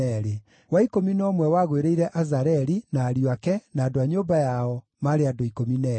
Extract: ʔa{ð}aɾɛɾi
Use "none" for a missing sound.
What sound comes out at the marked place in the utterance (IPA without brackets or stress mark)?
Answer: z